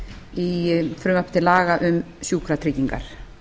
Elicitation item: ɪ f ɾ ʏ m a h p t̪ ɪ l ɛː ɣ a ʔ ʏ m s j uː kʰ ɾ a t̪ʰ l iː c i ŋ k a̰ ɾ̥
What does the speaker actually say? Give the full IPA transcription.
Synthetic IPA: i f ɾ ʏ m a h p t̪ ɪ l aː ɣ a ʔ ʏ m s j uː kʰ ɾ a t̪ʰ ɾ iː c i ŋ k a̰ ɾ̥

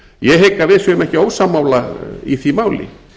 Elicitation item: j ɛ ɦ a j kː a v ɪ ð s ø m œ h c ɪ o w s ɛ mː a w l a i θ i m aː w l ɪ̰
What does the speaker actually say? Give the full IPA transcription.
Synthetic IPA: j ɛ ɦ e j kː a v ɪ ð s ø m ɛ h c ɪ o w s a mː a w l a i θ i m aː w l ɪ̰

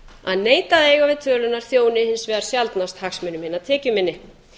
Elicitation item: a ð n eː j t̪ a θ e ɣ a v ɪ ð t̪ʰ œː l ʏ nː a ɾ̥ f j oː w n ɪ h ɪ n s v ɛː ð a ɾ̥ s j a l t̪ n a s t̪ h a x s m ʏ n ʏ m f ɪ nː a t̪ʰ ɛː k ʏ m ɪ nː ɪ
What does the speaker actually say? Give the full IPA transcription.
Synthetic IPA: a ð n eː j t̪ a ð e ɣ a v ɪ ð t̪ʰ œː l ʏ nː a ɾ̥ θ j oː w n ɪ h ɪ n s v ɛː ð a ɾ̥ s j a l t̪ n a s t̪ h a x s m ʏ n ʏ m h ɪ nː a t̪ʰ ɛː c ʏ m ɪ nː ɪ

